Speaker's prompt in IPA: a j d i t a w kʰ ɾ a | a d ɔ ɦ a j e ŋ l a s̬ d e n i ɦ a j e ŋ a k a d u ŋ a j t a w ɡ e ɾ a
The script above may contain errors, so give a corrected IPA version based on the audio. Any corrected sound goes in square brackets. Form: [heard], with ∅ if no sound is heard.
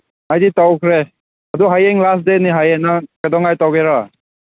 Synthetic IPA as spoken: a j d i t a w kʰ ɾ [e] | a d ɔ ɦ a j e ŋ l a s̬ d e n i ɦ a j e [n] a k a d [ɔ] ŋ a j t a w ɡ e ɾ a